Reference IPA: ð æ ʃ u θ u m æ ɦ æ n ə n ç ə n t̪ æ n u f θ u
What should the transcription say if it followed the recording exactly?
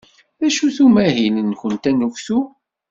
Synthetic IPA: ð æ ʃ u θ u m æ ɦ i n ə n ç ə n t̪ æ n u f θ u